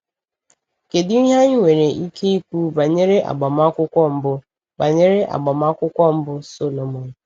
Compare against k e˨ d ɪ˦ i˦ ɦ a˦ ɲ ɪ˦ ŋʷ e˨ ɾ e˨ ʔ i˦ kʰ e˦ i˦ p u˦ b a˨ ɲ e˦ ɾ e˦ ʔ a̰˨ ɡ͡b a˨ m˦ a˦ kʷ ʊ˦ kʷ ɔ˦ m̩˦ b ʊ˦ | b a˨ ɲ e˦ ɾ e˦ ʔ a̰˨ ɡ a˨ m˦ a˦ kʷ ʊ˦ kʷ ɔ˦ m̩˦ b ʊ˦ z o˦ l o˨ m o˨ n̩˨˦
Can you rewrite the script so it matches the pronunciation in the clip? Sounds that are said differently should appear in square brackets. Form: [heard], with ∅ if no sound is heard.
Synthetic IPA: k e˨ d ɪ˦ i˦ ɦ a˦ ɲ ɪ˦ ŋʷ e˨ ɾ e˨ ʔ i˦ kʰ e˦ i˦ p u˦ b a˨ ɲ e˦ ɾ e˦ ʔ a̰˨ ɡ͡b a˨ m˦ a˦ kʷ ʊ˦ kʷ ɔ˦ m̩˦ b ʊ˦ | b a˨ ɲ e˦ ɾ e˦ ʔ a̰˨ [ɡ͡b] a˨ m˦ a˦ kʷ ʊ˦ kʷ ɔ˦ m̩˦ b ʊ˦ [s] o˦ l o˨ m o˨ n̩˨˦